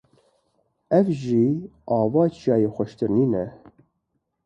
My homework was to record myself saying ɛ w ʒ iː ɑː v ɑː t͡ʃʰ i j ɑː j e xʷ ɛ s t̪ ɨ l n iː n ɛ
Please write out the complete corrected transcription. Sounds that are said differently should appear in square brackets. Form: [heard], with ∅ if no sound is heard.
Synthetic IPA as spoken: ɛ [v] ʒ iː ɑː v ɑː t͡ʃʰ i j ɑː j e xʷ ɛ [ʃ] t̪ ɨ [ɾ] n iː n ɛ